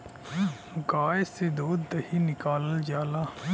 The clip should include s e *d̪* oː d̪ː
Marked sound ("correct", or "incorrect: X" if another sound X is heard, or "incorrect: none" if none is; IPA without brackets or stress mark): correct